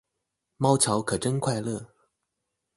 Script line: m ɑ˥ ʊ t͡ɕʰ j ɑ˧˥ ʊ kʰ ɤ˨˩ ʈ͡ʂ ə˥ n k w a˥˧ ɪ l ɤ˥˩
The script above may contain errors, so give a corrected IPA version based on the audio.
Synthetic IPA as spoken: m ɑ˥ ʊ t͡ɕʰ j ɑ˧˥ ʊ kʰ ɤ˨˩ ʈ͡ʂ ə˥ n kʰ w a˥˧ ɪ l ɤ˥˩

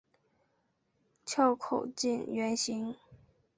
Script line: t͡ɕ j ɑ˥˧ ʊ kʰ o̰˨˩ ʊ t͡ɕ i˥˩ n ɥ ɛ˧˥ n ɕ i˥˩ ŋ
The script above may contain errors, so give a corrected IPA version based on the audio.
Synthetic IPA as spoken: t͡ɕʰ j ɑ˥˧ ʊ kʰ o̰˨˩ ʊ t͡ɕ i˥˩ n ɥ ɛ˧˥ n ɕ i˧˥ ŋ

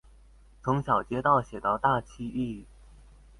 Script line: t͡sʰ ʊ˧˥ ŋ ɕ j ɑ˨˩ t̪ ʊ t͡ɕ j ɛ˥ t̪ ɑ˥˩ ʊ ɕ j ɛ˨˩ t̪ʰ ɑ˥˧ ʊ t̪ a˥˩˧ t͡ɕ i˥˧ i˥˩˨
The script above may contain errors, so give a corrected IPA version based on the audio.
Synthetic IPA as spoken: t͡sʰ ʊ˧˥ ŋ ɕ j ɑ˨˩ ʊ t͡ɕ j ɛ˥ t̪ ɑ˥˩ ʊ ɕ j ɛ˨˩ t̪ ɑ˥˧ ʊ t̪ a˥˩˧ t͡ɕʰ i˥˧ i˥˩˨

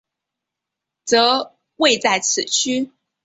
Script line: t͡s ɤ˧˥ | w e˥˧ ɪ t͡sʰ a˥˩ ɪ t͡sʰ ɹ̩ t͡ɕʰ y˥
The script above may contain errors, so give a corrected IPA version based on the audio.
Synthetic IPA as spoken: t͡s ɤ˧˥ | w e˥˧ ɪ t͡s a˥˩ ɪ t͡sʰ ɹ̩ t͡ɕʰ y˥

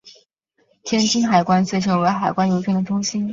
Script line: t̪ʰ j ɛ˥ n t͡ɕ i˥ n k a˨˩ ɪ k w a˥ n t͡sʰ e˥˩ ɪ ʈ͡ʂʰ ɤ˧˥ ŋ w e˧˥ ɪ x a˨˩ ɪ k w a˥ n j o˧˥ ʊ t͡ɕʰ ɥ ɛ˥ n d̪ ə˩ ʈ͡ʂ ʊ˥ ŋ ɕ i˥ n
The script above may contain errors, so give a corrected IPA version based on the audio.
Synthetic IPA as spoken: t̪ʰ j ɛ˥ n t͡ɕ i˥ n x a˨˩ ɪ k w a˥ n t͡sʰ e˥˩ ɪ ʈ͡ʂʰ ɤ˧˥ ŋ w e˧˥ ɪ x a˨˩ ɪ k w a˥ n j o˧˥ ʊ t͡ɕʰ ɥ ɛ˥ n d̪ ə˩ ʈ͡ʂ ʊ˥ ŋ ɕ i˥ n

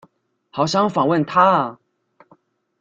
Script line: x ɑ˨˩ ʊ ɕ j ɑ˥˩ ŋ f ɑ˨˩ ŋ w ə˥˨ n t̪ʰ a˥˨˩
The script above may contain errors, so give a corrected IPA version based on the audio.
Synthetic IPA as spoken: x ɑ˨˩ ʊ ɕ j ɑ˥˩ ŋ f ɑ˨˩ ŋ w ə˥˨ n t̪ʰ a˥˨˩

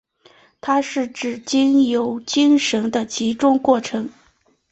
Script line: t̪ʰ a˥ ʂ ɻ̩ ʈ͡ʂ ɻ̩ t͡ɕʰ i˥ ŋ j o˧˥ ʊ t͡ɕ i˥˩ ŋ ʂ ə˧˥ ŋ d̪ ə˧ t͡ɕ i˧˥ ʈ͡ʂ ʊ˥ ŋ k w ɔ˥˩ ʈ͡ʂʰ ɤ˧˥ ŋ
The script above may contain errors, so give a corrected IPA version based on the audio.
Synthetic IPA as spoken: t̪ʰ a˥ ʂ ɻ̩ ʈ͡ʂ ɻ̩ t͡ɕ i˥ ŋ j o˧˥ ʊ t͡ɕ i˥ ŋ ʂ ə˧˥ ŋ d̪ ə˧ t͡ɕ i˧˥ ʈ͡ʂ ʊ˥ ŋ k w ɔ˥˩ ʈ͡ʂʰ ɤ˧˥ ŋ

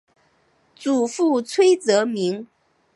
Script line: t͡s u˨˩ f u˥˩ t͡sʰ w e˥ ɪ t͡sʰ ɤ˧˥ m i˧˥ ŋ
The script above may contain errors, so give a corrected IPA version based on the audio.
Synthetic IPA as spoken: t͡s u˨˩ f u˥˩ t͡sʰ w e˥ ɪ t͡s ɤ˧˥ m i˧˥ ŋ

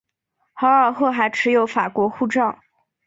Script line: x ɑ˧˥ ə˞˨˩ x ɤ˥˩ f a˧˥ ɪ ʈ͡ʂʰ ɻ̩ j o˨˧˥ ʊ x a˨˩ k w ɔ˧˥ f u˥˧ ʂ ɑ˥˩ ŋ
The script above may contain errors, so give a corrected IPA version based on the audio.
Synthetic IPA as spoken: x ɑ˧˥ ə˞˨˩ x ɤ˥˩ x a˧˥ ɪ ʈ͡ʂʰ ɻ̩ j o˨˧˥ ʊ f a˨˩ k w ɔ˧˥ x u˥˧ ʈ͡ʂ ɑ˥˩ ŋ

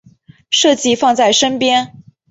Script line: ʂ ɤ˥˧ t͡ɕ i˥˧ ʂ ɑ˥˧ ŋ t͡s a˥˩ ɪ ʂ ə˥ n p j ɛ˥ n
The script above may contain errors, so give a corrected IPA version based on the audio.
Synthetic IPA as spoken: ʂ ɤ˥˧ t͡ɕ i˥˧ f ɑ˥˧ ŋ t͡s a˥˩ ɪ ʂ ə˥ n p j ɛ˥ n

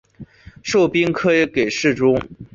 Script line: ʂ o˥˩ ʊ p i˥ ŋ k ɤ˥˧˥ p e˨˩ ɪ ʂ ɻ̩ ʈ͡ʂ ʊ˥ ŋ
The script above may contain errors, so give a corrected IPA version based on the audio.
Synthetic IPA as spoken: ʂ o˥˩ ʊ p i˥ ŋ kʰ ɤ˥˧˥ k e˨˩ ɪ ʂ ɻ̩ ʈ͡ʂ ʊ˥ ŋ

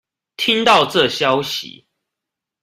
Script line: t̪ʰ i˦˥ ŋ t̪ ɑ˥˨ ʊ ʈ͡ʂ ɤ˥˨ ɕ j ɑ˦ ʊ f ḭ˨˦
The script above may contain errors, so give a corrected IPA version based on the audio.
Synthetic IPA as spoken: t̪ʰ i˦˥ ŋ t̪ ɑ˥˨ ʊ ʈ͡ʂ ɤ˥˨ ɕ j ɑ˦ ʊ ɕ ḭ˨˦

